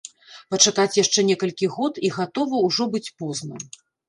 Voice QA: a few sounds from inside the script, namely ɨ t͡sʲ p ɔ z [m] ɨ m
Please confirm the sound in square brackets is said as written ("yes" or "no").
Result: no